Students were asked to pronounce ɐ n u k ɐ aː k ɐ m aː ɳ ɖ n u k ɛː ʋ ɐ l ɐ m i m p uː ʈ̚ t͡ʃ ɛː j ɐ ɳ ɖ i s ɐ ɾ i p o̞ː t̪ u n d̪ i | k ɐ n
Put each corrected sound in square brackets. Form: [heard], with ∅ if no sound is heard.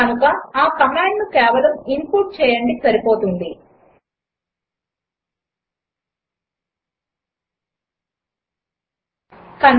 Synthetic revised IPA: ɐ n u k ɐ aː k ɐ m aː ɳ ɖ n u k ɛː ʋ ɐ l ɐ m i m p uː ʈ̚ t͡ʃ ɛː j ɐ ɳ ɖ i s ɐ ɾ i p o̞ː t̪ u n d̪ i | k ɐ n